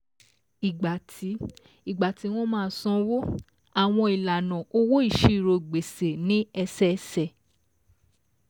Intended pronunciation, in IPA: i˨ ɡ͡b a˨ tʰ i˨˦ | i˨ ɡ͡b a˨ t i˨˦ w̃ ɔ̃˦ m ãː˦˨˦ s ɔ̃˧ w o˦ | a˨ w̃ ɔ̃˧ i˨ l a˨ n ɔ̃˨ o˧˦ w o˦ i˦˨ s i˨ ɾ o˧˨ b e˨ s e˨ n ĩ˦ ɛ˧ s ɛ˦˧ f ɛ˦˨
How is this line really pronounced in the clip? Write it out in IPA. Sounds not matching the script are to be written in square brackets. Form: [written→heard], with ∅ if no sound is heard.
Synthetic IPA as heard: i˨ ɡ͡b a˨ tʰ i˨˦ | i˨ ɡ͡b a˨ t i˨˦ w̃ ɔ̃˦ m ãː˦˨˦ s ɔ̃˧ w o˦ | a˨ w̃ ɔ̃˧ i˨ l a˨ n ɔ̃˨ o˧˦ w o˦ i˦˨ [s→ʃ] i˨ ɾ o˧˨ [b→ɡ͡b] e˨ s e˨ n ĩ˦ ɛ˧ s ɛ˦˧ [f→s] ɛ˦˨